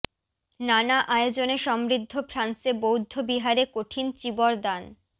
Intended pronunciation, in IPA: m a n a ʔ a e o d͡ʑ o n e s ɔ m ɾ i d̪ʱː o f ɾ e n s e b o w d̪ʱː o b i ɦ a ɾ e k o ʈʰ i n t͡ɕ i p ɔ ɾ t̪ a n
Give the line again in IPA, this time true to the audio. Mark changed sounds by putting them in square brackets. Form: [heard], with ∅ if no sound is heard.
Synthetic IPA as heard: [n] a n a ʔ a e o d͡ʑ o n e [ʃ] ɔ m ɾ i d̪ʱː o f ɾ [a] n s e b o w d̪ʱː o b i ɦ a ɾ e k o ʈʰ i n t͡ɕ i [b] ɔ ɾ [d̪] a n